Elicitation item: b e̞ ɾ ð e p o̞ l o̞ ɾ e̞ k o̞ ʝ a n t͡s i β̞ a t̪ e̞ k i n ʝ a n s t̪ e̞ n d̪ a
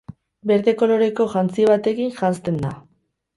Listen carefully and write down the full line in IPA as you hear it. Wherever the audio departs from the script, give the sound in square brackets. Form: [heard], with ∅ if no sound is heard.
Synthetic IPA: b e̞ ɾ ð e [k] o̞ l o̞ ɾ e̞ k o̞ ʝ a n t͡s i β̞ a t̪ e̞ k i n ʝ a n s t̪ e̞ n d̪ a